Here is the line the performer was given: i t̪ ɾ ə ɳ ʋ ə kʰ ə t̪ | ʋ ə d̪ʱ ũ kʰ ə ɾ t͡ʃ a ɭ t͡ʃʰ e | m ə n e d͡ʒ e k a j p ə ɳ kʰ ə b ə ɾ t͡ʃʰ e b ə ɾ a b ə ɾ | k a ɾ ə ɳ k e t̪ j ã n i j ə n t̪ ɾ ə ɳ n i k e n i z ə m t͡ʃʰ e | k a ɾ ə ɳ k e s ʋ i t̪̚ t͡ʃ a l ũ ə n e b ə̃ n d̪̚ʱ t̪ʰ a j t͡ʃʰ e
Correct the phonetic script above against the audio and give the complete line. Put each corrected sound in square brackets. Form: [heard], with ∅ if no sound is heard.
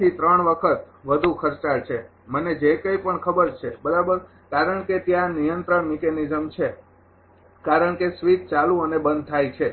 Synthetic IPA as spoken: i t̪ ɾ ə ɳ ʋ ə kʰ ə t̪ | ʋ ə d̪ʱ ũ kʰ ə ɾ t͡ʃ a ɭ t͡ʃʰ e | m ə n e d͡ʒ e k [ə] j p ə ɳ kʰ ə b ə ɾ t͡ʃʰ e b ə ɾ a b ə ɾ | k a ɾ ə ɳ k e t̪ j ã n i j ə n t̪ ɾ ə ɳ [m] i k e n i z ə m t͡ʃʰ e | k a ɾ ə ɳ k e s ʋ i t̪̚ t͡ʃ a l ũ ə n e b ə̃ n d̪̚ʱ t̪ʰ a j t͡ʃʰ e